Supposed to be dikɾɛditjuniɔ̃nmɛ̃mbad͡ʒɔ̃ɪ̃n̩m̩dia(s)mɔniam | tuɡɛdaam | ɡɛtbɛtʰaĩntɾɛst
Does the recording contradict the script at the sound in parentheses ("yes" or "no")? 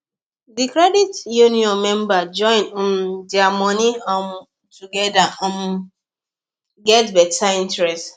yes